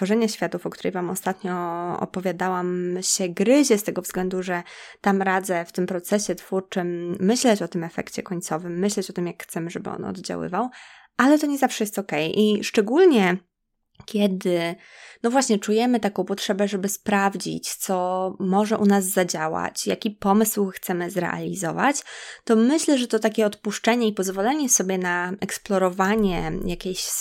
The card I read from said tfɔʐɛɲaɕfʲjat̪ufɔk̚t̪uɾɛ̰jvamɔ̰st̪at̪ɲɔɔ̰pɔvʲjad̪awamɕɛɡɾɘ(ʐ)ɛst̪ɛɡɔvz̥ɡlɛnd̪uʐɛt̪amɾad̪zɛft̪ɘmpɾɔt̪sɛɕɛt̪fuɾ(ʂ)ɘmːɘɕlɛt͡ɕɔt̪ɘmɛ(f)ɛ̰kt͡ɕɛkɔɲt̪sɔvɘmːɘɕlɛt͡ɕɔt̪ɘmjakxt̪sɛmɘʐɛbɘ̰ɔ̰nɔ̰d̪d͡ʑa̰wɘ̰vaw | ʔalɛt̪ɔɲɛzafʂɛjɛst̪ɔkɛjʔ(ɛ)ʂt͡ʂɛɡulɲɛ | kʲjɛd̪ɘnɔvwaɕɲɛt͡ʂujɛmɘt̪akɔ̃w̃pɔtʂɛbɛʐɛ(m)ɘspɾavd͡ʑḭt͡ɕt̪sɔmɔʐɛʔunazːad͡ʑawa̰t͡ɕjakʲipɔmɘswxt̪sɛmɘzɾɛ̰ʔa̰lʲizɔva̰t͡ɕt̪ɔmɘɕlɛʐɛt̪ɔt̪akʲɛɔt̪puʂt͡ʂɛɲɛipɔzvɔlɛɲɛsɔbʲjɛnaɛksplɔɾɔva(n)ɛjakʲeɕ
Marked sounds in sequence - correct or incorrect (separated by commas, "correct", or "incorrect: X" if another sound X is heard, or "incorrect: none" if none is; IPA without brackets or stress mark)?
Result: incorrect: ʑ, incorrect: t͡ʂ, correct, incorrect: i, incorrect: b, incorrect: ɲ